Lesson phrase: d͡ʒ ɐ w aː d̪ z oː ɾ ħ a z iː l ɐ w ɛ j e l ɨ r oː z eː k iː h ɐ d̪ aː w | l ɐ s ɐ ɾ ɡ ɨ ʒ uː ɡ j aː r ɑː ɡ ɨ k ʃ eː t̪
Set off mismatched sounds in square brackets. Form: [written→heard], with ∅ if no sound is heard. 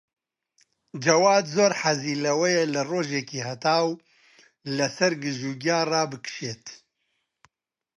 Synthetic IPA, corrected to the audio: d͡ʒ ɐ w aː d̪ z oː ɾ ħ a z iː l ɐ w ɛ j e l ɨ r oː [z→ʒ] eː k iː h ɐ [d̪→t̪] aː w | l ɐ s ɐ ɾ ɡ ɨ ʒ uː ɡ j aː r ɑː [ɡ→b] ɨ k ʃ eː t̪